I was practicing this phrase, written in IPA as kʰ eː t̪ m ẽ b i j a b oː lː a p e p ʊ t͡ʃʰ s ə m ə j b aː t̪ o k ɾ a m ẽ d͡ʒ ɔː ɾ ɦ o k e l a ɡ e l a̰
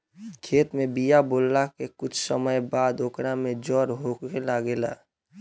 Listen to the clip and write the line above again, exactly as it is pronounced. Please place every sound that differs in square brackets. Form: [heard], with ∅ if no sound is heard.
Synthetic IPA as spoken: kʰ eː t̪ m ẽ b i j a b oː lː a [k] e [k] ʊ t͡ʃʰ s ə m ə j b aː [d̪] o k ɾ a m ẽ d͡ʒ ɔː ɾ ɦ o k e l a ɡ e l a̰